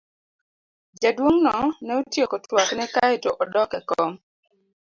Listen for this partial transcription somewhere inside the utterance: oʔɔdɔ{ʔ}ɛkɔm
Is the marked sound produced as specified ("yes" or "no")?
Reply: no